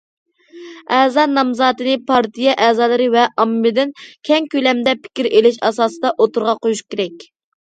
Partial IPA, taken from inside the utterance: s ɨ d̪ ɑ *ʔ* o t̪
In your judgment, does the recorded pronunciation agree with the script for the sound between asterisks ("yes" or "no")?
yes